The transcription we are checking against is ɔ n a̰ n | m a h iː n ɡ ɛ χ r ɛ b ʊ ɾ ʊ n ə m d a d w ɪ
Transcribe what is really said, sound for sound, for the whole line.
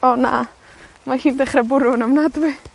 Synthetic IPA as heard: ɔ n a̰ | m a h iː n d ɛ χ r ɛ b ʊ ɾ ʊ n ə m n a d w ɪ